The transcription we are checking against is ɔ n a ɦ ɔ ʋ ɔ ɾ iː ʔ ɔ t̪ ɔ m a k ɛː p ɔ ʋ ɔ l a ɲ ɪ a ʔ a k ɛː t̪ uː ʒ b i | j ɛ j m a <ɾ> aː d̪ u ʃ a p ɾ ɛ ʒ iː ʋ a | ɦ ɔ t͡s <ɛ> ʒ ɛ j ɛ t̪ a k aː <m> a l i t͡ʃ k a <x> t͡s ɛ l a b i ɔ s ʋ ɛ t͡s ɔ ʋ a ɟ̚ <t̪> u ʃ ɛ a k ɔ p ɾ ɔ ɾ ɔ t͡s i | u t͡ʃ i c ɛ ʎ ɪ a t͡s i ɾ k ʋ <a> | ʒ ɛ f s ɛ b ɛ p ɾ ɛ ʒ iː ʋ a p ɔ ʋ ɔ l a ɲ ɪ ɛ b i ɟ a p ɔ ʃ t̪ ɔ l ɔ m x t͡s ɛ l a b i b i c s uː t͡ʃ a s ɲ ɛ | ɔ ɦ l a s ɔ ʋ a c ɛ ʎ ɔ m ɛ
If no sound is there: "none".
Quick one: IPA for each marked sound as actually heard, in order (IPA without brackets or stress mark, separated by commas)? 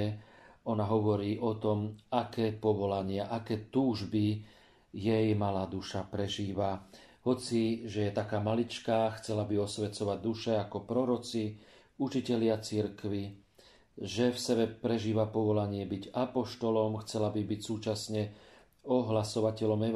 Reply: l, i, m, x, d̪, i